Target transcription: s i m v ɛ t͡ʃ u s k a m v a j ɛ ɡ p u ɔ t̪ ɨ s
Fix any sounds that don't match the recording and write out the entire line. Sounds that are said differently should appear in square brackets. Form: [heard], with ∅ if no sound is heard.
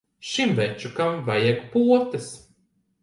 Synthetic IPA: [ʃ] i m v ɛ t͡ʃ u [∅] k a m v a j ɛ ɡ p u ɔ t̪ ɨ s